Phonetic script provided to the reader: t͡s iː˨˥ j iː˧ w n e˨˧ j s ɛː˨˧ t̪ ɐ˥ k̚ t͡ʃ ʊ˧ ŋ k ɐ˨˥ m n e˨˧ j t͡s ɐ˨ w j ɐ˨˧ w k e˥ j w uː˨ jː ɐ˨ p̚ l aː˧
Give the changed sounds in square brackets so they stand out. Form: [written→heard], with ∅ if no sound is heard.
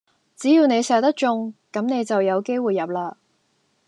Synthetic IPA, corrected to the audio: t͡s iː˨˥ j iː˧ w n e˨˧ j s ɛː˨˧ t̪ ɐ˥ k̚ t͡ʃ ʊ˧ ŋ k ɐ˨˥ m n e˨˧ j t͡s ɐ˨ w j ɐ˨˧ w k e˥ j w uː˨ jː ɐ˨ p̚ l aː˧

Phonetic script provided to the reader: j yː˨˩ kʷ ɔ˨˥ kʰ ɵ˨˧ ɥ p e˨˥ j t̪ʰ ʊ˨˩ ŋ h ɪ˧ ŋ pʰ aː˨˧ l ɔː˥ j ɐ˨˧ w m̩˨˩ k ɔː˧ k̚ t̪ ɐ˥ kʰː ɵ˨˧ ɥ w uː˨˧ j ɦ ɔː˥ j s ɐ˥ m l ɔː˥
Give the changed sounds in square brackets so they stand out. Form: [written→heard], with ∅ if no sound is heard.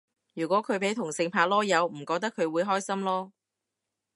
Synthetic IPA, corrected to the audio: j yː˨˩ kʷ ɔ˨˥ kʰ ɵ˨˧ ɥ p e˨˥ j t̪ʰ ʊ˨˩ ŋ [h→s] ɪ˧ ŋ pʰ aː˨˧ l ɔː˥ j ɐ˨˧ w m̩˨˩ k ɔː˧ k̚ t̪ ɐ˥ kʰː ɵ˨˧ ɥ w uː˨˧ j ɦ ɔː˥ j s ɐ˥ m l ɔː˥

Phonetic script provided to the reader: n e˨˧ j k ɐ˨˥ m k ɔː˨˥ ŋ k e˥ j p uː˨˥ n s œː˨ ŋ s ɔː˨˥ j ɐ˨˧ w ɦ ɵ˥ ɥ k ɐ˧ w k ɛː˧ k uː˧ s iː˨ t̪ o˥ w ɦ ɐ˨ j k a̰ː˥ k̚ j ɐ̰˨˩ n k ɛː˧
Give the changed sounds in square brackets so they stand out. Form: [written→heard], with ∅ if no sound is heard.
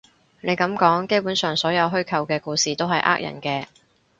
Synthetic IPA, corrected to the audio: n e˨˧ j k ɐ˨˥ m k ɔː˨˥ ŋ k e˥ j p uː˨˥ n s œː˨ ŋ s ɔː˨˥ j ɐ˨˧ w ɦ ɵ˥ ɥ [k→kʰ] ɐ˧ w k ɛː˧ k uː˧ s iː˨ t̪ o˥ w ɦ ɐ˨ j [k→ʔ] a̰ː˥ k̚ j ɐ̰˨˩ n k ɛː˧

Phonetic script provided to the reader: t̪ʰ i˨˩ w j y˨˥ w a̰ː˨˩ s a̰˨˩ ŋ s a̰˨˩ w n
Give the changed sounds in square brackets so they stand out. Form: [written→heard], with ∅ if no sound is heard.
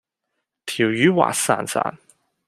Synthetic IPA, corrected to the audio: t̪ʰ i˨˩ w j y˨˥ w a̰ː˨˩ s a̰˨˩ [ŋ→n] s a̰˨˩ [w→∅] n

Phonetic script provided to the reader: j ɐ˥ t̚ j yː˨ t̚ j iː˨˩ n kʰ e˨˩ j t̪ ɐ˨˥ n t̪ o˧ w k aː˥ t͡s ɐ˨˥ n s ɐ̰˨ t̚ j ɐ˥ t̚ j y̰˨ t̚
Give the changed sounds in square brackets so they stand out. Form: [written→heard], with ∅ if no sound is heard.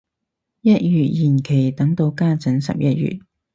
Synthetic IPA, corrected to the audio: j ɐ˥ t̚ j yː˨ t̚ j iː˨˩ n kʰ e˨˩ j t̪ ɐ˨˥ [n→ŋ] t̪ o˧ w k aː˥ t͡s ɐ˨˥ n s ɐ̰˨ [t̚→p̚] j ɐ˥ t̚ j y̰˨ t̚

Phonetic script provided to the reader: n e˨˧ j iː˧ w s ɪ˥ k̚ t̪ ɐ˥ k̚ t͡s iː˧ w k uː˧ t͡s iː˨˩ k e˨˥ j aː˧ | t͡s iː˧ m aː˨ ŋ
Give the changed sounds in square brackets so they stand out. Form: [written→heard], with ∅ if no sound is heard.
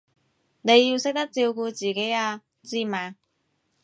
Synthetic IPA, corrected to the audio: n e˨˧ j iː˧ w s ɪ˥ k̚ t̪ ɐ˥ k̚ t͡s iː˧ w k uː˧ t͡s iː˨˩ k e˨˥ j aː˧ | t͡s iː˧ m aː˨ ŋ

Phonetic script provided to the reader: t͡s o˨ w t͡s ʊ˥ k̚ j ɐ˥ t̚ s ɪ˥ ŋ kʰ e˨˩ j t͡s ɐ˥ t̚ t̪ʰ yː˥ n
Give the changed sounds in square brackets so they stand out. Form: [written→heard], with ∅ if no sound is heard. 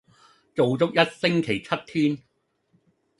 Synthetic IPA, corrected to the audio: t͡s o˨ w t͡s ʊ˥ k̚ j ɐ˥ t̚ s ɪ˥ ŋ kʰ e˨˩ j [t͡s→t͡sʰ] ɐ˥ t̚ t̪ʰ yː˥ n

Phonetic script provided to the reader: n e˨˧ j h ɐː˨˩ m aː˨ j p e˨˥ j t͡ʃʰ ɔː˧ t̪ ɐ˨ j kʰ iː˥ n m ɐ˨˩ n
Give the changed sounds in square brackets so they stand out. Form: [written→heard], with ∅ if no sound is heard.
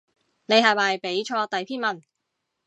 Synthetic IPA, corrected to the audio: n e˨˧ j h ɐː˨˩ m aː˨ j p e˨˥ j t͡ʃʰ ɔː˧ t̪ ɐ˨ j [kʰ→pʰ] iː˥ n m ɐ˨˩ n

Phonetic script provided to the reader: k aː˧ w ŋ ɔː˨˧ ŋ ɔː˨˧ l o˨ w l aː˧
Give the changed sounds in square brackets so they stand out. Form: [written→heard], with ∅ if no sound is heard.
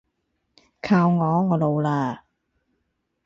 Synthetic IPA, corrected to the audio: [k→kʰ] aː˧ w ŋ ɔː˨˧ ŋ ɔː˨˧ l o˨ w l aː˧

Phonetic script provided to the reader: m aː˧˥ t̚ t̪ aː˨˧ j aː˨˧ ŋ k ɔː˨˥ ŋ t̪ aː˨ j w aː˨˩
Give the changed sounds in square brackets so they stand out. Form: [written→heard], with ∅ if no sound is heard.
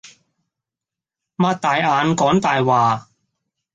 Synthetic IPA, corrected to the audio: m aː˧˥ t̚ t̪ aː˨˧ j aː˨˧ [ŋ→n] k ɔː˨˥ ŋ t̪ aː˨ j w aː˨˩

